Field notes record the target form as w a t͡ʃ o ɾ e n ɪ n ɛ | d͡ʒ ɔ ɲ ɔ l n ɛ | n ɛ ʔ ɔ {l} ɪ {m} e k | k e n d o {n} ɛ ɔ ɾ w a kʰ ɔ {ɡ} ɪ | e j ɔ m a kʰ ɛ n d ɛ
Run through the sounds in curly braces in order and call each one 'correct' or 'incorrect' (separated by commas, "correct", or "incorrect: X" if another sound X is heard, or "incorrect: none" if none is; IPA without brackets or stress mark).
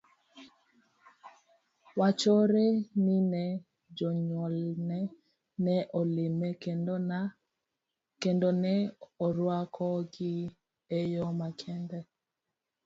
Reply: correct, correct, correct, correct